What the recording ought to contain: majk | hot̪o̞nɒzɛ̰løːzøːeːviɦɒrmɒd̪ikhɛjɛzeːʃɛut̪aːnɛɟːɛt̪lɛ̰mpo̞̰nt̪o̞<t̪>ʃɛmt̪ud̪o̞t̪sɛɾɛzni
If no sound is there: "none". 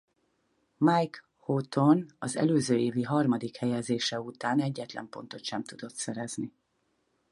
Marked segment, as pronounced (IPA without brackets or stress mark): t̪